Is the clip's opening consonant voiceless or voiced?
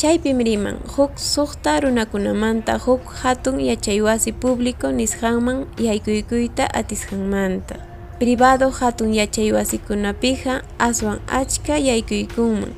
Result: voiceless